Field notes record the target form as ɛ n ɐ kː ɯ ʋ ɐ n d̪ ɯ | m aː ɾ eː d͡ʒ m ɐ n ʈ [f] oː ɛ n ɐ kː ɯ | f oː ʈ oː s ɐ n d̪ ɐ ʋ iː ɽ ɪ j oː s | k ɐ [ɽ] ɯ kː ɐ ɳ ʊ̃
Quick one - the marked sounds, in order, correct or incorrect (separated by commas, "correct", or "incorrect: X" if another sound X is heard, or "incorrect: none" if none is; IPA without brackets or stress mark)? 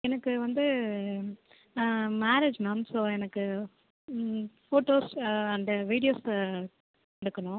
incorrect: s, correct